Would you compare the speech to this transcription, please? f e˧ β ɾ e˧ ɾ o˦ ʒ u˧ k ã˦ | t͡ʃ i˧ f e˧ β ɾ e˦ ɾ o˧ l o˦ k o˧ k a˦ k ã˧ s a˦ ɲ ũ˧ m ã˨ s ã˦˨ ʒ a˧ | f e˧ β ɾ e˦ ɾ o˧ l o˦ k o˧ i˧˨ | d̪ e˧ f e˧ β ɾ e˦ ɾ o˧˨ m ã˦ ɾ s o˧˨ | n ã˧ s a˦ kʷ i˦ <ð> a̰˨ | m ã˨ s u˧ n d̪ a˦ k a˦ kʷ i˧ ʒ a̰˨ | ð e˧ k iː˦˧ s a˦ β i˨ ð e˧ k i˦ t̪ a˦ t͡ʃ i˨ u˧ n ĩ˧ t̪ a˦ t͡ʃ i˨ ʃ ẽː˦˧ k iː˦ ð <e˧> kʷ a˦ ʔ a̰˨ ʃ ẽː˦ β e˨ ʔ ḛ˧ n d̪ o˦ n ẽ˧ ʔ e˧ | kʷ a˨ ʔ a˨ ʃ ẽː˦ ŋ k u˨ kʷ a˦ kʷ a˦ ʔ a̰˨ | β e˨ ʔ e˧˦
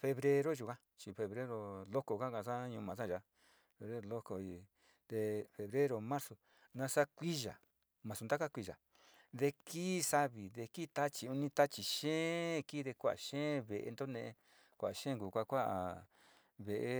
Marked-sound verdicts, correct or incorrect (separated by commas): incorrect, correct